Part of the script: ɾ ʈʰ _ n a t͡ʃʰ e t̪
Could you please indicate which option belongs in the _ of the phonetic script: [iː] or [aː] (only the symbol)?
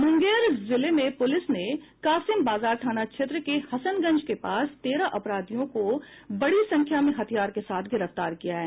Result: aː